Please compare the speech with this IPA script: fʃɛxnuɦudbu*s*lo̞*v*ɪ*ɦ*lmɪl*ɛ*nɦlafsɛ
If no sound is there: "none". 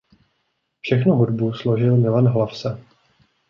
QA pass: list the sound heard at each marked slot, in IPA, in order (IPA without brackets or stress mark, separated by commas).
s, ʒ, none, a